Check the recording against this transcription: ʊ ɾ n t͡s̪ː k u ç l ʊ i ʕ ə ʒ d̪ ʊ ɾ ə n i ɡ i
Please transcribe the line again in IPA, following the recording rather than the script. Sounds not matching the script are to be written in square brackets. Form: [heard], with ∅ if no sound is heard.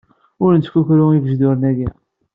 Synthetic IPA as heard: ʊ ɾ n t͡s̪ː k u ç [ɾ] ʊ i [v] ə ʒ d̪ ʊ ɾ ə n [æ] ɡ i